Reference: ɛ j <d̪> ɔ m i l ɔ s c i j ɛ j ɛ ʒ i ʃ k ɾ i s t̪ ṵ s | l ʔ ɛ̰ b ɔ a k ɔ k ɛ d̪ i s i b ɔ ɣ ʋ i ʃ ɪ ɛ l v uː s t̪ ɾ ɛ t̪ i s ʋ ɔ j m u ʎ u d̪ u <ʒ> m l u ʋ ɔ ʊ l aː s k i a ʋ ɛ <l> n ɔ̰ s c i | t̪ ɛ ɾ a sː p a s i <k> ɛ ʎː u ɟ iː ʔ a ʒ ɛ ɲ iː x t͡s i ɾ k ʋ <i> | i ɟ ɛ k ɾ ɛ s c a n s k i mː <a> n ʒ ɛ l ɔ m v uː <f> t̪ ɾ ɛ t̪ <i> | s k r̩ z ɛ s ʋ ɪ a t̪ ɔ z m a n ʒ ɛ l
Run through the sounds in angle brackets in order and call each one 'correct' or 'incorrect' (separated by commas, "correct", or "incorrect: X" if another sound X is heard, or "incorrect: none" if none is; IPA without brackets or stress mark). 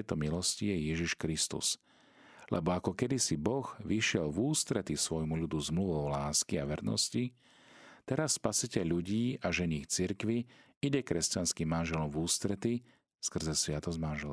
incorrect: t̪, incorrect: z, incorrect: ɾ, incorrect: c, correct, correct, incorrect: s, correct